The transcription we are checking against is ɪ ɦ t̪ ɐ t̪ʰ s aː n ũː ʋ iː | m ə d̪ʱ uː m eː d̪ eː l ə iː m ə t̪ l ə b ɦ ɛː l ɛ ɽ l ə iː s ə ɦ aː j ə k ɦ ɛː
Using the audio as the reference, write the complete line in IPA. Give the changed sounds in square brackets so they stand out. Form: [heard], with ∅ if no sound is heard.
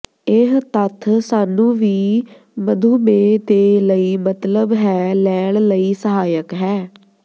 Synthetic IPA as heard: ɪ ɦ t̪ [ə] t̪ʰ s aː n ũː ʋ iː | m ə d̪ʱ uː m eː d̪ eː l ə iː m ə t̪ l ə b ɦ ɛː l [ɛː] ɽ l ə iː s ə ɦ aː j ə k ɦ ɛː